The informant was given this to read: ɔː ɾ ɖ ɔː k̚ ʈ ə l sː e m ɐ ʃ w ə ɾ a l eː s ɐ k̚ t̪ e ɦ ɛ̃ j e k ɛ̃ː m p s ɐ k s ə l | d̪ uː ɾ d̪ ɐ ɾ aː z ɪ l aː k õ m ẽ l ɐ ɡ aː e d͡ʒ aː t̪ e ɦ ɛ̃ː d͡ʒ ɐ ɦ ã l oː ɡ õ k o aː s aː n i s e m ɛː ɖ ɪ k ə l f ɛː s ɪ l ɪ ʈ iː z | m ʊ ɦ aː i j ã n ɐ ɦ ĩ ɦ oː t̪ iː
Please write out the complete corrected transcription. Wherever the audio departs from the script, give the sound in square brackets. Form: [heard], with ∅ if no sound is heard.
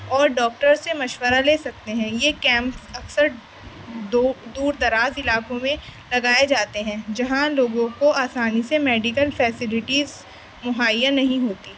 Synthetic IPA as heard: ɔː ɾ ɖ ɔː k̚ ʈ ə [ɾ] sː e m ɐ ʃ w ə ɾ a l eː s ɐ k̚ t̪ e ɦ ɛ̃ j e k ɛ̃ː m p s ɐ k s ə [ɾ] | d̪ uː ɾ d̪ ɐ ɾ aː z ɪ l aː k õ m ẽ l ɐ ɡ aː e d͡ʒ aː t̪ e ɦ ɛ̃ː d͡ʒ ɐ ɦ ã l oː ɡ õ k o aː s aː n i s e m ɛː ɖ ɪ k ə l f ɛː s ɪ l ɪ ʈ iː z | m ʊ ɦ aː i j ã n ɐ ɦ ĩ ɦ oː t̪ iː

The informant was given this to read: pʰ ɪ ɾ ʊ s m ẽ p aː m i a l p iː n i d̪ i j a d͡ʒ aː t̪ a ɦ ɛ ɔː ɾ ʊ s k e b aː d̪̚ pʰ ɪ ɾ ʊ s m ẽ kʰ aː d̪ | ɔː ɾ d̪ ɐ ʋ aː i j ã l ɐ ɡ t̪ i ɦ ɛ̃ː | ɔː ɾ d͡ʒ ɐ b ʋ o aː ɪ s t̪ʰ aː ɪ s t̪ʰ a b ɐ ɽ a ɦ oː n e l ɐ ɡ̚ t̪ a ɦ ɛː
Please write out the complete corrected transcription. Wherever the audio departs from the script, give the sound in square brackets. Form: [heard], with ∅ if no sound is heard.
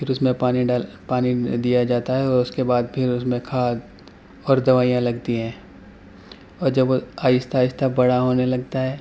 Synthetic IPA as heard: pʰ ɪ ɾ ʊ s m ẽ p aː [n] i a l p [aː] n i d̪ i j a d͡ʒ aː t̪ a ɦ ɛ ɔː ɾ ʊ s k e b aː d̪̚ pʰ ɪ ɾ ʊ s m ẽ kʰ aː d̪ | ɔː ɾ d̪ ɐ ʋ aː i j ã l ɐ ɡ t̪ i ɦ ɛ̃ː | ɔː ɾ d͡ʒ ɐ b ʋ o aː ɪ s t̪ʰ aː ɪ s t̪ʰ a b ɐ ɽ a ɦ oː n e l ɐ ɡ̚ t̪ a ɦ ɛː

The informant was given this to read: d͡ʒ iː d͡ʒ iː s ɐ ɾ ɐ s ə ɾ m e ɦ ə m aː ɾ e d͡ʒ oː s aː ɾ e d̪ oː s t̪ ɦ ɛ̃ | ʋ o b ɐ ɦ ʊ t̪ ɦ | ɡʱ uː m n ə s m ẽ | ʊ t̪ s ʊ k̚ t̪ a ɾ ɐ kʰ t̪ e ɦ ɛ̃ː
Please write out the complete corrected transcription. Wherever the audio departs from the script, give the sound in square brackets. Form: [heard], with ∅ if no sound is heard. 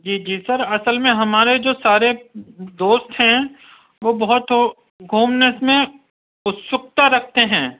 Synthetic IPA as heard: d͡ʒ iː d͡ʒ iː s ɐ ɾ ɐ s ə [l] m [ẽ] ɦ [ɐ] m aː ɾ e d͡ʒ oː s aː ɾ e d̪ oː s t̪ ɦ ɛ̃ | ʋ o b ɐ ɦ ʊ t̪ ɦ | ɡʱ uː m n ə s m ẽ | ʊ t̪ s ʊ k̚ t̪ a ɾ ɐ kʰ t̪ e ɦ ɛ̃ː

